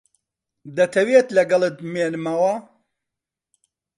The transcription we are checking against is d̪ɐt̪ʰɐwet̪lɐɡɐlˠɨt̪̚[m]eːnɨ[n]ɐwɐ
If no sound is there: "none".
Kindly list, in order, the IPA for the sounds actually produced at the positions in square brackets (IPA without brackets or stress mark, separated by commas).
m, m